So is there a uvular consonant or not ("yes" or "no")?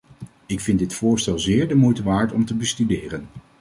no